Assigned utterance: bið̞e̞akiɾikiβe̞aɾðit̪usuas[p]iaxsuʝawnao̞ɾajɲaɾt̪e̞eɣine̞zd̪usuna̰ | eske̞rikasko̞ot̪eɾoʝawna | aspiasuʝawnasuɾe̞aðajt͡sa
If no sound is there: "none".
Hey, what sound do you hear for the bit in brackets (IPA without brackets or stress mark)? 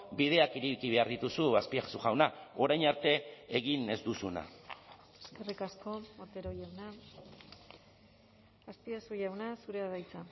p